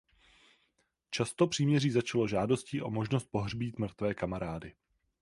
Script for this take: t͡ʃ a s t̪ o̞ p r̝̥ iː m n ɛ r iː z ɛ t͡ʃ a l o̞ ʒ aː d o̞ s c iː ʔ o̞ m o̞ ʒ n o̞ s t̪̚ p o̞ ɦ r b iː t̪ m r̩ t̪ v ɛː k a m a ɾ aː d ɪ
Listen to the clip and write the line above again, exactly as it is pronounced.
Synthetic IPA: t͡ʃ a s t̪ o̞ p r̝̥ iː m ɲ ɛ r iː z a t͡ʃ a l o̞ ʒ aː d o̞ s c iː ʔ o̞ m o̞ ʒ n o̞ s t̪̚ p o̞ ɦ r b iː t̪ m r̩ t̪ v ɛː k a m a ɾ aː d ɪ

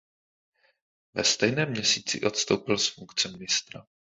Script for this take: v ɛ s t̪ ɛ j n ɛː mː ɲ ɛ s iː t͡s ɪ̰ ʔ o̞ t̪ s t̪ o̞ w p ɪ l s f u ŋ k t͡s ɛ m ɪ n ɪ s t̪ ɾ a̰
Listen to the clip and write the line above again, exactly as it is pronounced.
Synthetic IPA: v ɛ s t̪ ɛ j n ɛː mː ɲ ɛ s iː t͡s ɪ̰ ʔ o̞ t̪ s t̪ o̞ w p ɪ l s f u ŋ k t͡s ɛ m ɪ n ɪ s t̪ ɾ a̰

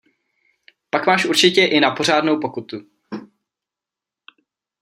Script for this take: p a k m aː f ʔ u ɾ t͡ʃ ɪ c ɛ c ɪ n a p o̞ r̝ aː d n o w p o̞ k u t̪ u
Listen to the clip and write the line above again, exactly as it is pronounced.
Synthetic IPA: p a k m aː ʃ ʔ u ɾ t͡ʃ ɪ c ɛ ʔ ɪ n a p o̞ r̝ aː d n o w p o̞ k u t̪ u

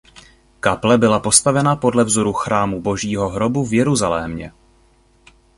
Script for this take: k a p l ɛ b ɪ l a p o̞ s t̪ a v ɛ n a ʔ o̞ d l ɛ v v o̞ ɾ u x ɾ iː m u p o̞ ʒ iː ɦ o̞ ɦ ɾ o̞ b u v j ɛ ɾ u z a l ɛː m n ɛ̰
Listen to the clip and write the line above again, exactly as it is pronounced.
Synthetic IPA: k a p l ɛ b ɪ l a p o̞ s t̪ a v ɛ n a p o̞ d l ɛ v z o̞ ɾ u x ɾ aː m u b o̞ ʒ iː ɦ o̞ ɦ ɾ o̞ b u v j ɛ ɾ u z a l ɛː m ɲ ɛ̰

